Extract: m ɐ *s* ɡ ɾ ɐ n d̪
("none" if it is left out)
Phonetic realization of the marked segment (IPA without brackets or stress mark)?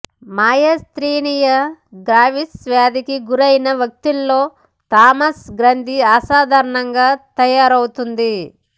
s